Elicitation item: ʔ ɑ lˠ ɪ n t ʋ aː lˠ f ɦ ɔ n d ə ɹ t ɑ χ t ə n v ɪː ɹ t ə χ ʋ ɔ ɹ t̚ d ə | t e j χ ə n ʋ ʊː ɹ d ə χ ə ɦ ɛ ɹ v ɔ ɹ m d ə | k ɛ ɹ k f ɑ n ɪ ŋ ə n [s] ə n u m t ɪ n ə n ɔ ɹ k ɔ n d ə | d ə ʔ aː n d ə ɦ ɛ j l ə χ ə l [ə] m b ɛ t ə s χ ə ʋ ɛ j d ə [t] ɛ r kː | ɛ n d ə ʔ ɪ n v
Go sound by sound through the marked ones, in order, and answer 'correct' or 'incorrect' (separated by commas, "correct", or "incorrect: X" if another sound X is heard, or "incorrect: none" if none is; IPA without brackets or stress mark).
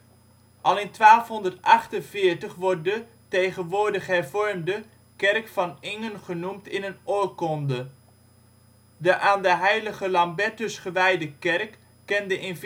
incorrect: χ, incorrect: ɑ, incorrect: k